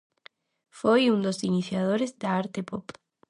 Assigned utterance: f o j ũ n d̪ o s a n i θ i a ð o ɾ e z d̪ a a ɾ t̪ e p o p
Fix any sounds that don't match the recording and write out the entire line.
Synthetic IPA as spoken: f o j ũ n d̪ o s i n i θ j a ð o ɾ e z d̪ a a ɾ t̪ e p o p